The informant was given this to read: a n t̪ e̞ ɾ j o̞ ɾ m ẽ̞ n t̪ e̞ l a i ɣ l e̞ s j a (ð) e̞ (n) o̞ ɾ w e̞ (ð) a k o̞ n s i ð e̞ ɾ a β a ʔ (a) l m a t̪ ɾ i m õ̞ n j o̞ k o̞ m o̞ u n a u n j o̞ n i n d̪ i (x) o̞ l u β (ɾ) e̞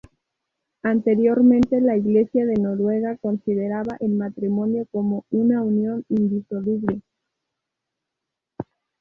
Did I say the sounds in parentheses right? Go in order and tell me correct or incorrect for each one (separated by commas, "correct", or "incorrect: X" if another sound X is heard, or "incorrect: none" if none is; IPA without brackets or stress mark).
correct, correct, incorrect: ɣ, incorrect: e, incorrect: s, incorrect: l